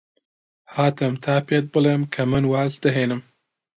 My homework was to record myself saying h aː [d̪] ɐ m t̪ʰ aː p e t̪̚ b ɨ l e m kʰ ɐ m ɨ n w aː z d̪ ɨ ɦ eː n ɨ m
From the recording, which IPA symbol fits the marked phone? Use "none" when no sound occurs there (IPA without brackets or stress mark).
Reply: t̪